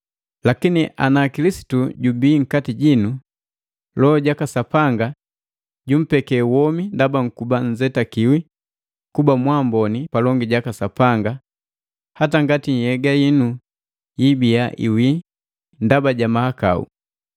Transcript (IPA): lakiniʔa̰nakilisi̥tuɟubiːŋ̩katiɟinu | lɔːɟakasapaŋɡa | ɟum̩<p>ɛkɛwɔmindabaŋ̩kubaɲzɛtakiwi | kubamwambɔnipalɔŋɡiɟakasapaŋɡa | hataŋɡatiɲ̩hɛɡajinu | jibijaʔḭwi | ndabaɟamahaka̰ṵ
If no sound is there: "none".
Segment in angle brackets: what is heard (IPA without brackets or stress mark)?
p